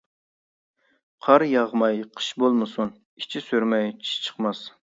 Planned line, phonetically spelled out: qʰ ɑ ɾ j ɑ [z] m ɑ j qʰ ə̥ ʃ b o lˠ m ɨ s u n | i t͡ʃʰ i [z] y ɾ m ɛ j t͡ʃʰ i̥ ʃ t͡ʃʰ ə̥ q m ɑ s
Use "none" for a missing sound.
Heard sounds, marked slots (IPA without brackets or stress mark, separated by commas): ʁ, s